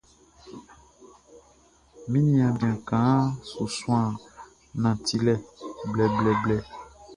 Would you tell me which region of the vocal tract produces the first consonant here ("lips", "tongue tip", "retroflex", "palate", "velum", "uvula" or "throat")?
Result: lips